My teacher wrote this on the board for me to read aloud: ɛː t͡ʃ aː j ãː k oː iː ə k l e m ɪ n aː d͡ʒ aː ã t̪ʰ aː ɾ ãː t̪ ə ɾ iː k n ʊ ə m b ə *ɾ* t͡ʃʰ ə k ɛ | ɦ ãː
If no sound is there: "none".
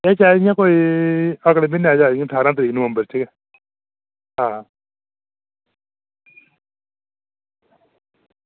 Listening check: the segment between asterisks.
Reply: ɾ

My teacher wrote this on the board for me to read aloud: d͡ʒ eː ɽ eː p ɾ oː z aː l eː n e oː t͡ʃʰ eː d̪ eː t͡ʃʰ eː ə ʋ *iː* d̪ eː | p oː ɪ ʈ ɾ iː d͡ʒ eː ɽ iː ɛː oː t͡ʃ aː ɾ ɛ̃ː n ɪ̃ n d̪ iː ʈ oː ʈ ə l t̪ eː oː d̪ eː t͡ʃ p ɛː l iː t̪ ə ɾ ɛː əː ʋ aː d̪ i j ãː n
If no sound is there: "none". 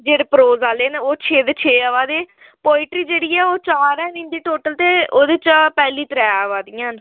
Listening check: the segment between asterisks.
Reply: aː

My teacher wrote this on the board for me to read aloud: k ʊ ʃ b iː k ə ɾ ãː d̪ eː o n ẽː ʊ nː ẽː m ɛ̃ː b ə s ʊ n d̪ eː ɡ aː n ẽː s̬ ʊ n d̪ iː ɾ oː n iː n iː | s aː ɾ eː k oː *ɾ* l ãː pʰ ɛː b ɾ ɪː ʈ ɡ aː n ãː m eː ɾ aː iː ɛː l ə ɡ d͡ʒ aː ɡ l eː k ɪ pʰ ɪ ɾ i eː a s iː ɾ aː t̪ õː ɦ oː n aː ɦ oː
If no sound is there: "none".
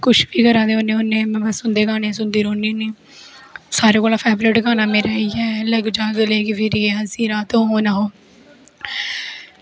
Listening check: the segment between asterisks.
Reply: none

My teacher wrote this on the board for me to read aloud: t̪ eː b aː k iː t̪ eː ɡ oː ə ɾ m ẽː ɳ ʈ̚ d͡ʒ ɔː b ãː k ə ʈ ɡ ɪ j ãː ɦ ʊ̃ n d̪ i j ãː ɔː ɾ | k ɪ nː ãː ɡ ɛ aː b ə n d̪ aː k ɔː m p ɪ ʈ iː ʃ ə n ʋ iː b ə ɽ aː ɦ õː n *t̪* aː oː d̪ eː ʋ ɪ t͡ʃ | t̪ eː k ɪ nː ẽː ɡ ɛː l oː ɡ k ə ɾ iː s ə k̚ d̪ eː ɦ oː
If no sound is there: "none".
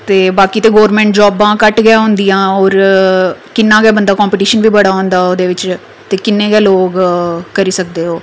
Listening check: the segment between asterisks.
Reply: d̪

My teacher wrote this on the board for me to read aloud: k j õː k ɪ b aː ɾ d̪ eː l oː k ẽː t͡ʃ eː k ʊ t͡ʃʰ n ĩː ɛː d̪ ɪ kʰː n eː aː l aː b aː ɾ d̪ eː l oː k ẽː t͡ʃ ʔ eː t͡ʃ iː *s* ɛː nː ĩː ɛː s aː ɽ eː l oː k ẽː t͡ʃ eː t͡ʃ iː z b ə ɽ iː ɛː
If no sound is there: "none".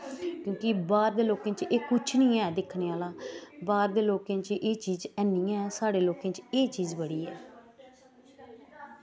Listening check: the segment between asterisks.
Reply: z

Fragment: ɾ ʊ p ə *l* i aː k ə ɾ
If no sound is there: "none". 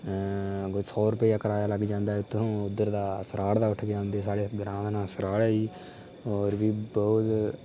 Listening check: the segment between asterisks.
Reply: none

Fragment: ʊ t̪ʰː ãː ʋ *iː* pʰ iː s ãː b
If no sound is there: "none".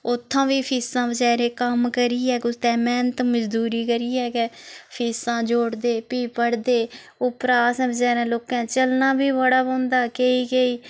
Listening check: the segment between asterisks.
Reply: iː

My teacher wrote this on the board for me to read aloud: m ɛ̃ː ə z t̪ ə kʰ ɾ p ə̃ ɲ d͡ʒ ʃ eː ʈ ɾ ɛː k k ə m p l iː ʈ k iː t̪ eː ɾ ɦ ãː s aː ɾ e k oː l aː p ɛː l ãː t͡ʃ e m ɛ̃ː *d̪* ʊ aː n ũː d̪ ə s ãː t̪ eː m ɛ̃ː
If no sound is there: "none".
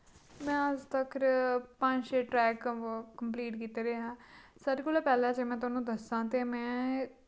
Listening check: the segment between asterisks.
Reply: t̪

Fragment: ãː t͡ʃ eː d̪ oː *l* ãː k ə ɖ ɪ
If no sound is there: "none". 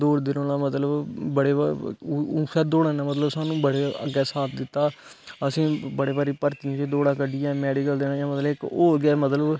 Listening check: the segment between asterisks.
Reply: ɽ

